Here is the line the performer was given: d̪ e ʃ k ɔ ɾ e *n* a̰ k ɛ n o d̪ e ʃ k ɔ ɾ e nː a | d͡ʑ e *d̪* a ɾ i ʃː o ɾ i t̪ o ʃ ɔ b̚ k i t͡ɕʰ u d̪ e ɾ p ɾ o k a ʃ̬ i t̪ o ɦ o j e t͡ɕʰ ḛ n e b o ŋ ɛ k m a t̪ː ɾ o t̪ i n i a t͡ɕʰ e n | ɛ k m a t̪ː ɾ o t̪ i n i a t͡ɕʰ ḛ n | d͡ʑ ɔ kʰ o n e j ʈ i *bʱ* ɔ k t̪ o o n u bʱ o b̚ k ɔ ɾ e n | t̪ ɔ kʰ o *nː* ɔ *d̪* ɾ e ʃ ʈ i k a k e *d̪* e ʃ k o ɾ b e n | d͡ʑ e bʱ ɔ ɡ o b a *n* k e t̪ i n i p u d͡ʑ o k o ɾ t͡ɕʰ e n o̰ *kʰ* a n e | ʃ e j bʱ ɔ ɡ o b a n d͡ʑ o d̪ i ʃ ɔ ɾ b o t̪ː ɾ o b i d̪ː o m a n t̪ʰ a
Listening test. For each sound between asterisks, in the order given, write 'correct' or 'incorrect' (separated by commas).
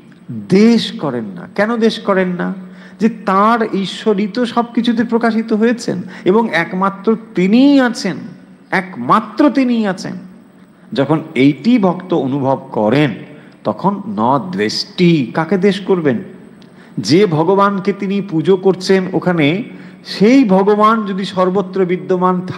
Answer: incorrect, incorrect, correct, correct, correct, correct, correct, correct